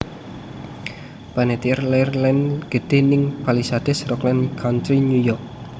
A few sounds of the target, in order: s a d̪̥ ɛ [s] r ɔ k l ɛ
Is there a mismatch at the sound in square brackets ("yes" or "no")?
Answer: no